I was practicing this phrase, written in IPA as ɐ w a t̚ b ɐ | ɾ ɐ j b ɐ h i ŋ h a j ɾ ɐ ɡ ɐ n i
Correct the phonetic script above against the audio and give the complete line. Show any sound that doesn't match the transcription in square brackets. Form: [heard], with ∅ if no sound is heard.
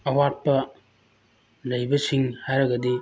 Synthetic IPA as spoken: ɐ w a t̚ [p] ɐ | [l] ɐ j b ɐ [s] i ŋ h a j ɾ ɐ ɡ ɐ [d] i